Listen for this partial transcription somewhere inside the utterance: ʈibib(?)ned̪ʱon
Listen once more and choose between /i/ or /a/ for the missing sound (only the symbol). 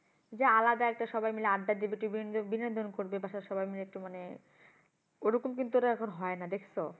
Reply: i